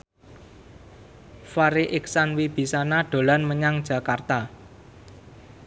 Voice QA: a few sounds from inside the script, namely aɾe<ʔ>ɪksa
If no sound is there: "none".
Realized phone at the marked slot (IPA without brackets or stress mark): ʔ